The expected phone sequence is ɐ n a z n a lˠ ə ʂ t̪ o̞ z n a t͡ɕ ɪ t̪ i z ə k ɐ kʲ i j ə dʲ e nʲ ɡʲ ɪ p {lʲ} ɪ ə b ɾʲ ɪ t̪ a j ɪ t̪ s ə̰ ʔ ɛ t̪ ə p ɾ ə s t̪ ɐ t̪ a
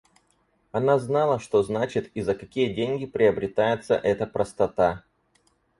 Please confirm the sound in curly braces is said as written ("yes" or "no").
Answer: no